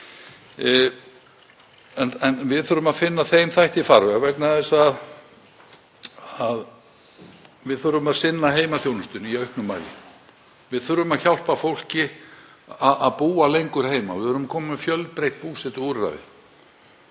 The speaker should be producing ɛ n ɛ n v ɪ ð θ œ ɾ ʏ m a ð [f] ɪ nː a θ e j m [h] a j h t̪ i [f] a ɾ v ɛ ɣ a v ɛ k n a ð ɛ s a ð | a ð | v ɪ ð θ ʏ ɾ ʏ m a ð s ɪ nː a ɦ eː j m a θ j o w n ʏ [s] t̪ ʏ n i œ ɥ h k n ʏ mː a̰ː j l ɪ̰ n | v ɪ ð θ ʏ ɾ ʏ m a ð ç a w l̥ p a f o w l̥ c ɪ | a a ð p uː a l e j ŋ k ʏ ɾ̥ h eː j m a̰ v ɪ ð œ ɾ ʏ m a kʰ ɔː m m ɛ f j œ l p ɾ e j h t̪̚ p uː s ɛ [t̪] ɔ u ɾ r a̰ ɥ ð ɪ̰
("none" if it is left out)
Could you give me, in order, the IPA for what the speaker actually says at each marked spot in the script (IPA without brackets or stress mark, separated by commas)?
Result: f, θ, f, s, t̪